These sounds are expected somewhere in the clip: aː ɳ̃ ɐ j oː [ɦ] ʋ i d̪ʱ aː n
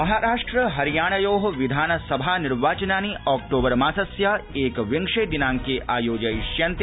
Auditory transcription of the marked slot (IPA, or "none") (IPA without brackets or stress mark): ɦ